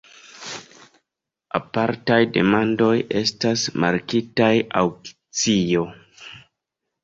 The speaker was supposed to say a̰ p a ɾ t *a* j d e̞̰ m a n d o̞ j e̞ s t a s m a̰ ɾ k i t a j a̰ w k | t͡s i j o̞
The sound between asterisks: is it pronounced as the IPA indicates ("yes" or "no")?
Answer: yes